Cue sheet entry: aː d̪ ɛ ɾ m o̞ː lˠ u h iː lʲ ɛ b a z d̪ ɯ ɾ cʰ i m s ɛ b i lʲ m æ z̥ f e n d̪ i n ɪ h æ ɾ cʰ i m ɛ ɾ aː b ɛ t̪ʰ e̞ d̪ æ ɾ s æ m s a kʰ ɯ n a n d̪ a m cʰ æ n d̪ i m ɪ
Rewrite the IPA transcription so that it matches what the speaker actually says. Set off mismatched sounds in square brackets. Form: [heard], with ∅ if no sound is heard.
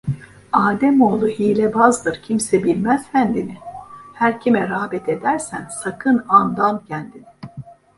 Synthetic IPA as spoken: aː d̪ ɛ [∅] m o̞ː lˠ u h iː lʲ ɛ b a z d̪ ɯ ɾ cʰ i m s ɛ b i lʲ m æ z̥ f [æ] n d̪ i n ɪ h æ ɾ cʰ i m ɛ ɾ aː b ɛ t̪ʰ e̞ d̪ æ ɾ s æ [n] s a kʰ ɯ n a n d̪ a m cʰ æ n d̪ i [n] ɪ